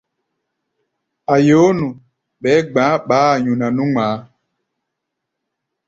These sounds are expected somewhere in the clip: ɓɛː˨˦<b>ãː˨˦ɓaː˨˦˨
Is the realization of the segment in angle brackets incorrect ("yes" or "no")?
yes